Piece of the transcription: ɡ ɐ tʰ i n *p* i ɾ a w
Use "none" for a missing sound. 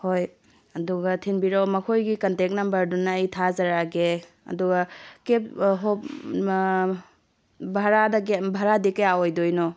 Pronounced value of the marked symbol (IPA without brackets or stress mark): b